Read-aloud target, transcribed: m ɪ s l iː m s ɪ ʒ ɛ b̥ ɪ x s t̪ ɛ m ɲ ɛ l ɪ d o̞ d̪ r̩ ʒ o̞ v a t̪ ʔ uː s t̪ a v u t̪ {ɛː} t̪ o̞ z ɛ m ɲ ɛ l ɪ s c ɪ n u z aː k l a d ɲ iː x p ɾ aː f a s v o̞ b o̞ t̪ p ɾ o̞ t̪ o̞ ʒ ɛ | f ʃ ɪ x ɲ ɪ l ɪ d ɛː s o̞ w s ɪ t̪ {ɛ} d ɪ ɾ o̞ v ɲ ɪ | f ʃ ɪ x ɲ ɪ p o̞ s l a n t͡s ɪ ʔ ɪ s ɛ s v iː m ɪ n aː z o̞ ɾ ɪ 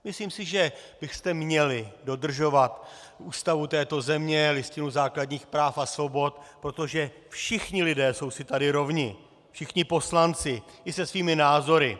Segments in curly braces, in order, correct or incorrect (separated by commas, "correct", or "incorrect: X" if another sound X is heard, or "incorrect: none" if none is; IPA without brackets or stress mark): correct, incorrect: a